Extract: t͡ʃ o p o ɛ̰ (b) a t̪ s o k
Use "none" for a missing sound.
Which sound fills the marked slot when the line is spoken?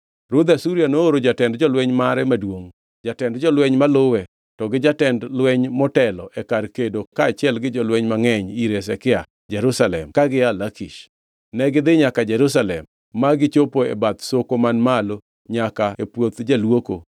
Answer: b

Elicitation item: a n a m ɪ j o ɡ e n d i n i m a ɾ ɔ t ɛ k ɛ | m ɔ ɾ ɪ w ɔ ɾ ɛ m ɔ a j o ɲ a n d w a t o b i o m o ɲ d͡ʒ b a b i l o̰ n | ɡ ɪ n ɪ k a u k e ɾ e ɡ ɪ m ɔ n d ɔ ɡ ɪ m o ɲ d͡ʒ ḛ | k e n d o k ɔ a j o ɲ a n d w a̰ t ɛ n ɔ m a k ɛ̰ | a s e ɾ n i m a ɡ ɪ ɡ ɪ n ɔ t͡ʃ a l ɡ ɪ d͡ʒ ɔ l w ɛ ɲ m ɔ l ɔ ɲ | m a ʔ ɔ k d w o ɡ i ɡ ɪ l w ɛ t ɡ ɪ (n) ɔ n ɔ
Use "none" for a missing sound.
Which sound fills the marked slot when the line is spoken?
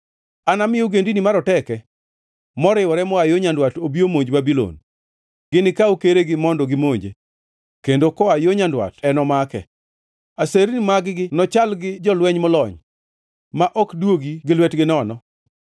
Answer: n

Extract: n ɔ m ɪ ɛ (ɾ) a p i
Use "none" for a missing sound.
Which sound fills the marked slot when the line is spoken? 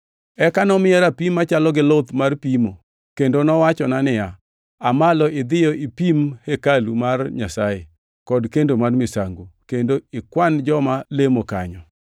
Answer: ɾ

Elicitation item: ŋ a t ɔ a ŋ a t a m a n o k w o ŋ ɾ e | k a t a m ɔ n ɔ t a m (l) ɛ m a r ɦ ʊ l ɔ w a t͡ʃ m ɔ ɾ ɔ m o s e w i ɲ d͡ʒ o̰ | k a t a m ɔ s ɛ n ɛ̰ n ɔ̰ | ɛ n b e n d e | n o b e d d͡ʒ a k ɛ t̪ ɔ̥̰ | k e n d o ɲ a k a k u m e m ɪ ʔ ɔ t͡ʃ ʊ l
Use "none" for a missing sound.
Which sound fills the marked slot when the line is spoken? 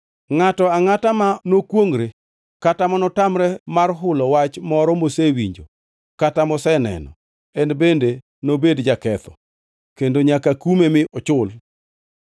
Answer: ɾ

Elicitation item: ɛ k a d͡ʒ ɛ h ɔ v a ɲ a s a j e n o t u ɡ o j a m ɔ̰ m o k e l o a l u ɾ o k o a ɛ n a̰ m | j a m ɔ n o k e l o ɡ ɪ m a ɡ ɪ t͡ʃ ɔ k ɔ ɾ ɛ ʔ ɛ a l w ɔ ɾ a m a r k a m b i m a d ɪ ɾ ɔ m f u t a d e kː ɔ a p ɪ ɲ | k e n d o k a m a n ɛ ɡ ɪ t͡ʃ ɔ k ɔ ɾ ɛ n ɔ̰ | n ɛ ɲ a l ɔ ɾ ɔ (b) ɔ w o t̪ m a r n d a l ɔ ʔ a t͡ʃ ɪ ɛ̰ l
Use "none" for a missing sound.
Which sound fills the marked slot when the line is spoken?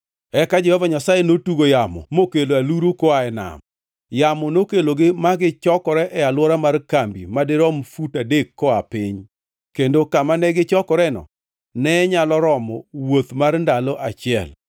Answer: m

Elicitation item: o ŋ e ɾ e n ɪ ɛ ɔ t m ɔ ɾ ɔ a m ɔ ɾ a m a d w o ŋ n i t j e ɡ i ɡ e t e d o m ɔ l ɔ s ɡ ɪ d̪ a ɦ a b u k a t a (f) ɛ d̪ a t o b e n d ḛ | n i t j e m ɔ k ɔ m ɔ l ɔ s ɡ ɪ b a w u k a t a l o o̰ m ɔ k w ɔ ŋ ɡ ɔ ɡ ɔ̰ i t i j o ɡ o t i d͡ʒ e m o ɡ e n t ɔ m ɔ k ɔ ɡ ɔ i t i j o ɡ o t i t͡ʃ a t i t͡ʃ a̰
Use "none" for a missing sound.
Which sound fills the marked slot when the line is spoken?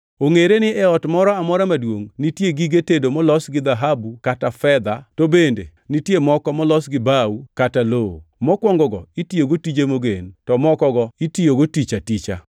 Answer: f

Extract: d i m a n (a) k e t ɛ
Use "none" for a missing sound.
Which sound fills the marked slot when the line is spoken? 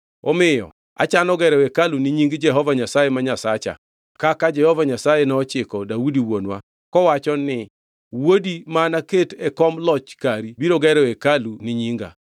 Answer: a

